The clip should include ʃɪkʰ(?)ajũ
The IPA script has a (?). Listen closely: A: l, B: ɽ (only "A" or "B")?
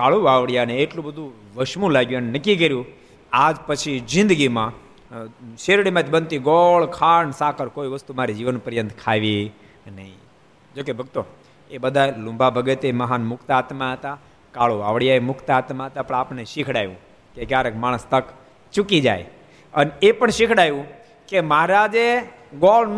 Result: B